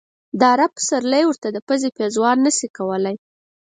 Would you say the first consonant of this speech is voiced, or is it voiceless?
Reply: voiced